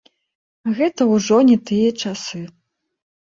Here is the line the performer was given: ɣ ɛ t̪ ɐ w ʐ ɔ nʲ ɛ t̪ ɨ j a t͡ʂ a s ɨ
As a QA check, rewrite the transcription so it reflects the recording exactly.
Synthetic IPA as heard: ɣ ɛ t̪ ɐ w ʐ ɔ nʲ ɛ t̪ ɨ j ɐ t͡ʂ a s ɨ